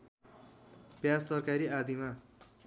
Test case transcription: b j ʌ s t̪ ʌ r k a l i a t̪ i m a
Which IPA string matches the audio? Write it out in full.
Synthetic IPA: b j a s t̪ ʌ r k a ɾ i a d̪ i m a